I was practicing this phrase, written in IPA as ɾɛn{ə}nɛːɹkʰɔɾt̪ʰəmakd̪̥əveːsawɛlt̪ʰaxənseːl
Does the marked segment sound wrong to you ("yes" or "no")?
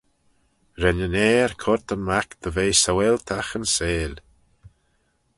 no